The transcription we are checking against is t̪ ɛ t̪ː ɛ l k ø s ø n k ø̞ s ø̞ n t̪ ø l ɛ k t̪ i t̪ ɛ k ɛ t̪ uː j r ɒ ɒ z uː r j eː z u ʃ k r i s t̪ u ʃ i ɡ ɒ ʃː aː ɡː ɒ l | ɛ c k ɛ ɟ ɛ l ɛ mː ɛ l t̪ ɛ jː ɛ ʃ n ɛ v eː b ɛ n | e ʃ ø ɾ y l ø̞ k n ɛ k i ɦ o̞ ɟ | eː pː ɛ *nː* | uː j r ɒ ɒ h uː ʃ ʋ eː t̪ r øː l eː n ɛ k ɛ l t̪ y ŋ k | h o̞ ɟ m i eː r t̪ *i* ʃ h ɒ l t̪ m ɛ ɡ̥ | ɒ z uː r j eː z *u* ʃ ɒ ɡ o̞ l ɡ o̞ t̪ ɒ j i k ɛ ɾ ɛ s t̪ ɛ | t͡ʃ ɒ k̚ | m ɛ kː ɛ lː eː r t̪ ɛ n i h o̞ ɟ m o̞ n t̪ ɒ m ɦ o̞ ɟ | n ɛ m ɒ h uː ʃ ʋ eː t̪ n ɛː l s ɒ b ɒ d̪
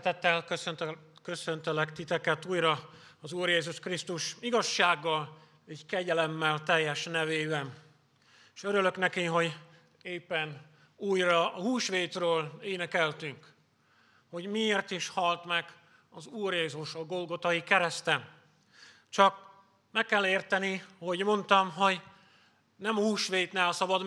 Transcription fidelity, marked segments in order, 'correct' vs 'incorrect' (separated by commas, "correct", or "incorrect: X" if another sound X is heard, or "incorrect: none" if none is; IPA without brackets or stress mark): incorrect: n, correct, correct